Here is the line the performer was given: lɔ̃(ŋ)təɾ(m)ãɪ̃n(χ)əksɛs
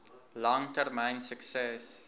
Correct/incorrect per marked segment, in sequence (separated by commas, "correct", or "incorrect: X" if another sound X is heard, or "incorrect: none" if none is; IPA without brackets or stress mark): correct, correct, incorrect: s